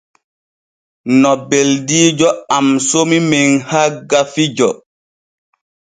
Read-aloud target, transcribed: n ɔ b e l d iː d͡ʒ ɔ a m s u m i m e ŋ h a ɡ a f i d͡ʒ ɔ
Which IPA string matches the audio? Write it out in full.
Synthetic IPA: n ɔ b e l d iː d͡ʒ ɔ a m s o m i m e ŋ h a ɡ a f i d͡ʒ ɔ